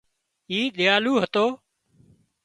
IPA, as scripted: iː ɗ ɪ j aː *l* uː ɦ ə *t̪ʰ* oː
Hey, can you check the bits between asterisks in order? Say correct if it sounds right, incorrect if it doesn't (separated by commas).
correct, incorrect